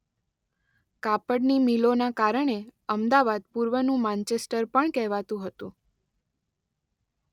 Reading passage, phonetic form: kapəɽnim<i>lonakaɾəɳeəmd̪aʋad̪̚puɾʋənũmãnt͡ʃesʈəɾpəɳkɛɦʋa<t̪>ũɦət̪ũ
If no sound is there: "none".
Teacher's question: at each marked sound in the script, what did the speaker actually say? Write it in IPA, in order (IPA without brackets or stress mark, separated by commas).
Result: i, t̪